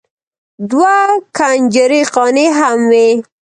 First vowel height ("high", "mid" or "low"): low